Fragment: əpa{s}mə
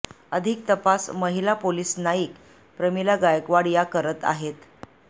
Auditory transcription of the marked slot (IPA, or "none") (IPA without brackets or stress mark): s